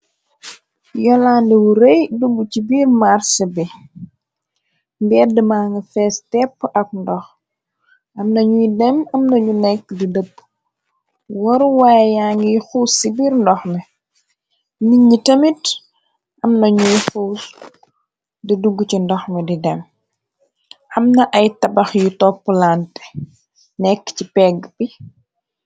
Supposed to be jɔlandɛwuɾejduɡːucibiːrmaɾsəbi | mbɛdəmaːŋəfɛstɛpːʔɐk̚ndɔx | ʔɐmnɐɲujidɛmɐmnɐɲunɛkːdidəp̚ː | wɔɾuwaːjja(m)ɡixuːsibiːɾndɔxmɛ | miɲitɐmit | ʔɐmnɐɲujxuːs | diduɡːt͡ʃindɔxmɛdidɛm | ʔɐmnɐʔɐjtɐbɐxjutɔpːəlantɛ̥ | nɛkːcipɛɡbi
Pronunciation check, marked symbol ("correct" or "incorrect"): incorrect